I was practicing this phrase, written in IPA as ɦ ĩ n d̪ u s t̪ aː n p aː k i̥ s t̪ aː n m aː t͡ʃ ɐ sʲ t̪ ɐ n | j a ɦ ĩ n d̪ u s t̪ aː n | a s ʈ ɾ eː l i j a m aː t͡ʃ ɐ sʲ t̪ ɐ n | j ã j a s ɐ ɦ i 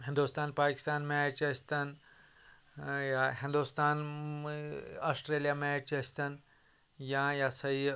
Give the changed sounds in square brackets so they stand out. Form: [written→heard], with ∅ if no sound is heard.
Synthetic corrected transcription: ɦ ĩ n d̪ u s t̪ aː n p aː k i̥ s t̪ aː n m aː t͡ʃ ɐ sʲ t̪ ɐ n | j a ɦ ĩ n d̪ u s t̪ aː n | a s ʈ ɾ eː l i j a m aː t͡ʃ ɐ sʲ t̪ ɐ n | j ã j a s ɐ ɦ i